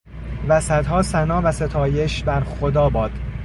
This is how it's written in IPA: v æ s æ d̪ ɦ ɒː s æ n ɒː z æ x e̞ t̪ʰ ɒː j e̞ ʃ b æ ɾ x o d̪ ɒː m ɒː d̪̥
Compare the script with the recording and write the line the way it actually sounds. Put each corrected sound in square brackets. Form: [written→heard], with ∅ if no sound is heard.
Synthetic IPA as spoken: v æ s æ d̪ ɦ ɒː s æ n ɒː [z→v] æ [x→s] e̞ t̪ʰ ɒː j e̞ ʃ b æ ɾ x o d̪ ɒː [m→b] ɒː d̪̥